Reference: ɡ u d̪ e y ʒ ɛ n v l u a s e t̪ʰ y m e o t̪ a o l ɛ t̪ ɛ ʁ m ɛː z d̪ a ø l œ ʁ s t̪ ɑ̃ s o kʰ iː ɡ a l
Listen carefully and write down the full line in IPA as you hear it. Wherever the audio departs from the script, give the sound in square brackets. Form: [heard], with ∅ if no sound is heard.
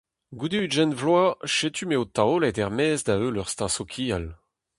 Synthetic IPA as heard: ɡ u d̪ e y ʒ ɛ n v l [w] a [ʃ] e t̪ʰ y m e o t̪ a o l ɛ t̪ ɛ ʁ m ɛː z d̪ a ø l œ ʁ s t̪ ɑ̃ s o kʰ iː [∅] a l